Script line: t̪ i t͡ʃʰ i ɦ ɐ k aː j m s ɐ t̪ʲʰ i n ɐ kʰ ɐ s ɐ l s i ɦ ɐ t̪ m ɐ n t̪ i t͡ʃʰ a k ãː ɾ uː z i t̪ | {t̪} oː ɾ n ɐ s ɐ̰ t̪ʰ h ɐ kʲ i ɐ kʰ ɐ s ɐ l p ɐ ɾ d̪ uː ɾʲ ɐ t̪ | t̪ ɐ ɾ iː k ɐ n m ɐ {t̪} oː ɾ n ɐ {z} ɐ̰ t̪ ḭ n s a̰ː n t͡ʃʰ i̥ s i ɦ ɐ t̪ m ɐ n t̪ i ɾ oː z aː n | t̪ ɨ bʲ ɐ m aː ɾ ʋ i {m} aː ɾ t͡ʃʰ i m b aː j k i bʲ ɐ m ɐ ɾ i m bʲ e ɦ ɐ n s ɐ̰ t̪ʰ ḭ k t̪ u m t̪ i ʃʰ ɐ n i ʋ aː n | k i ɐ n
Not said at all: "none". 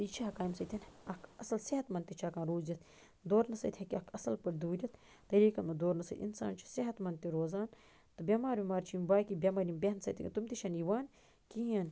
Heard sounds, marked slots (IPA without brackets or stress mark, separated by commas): d̪, d̪, s, m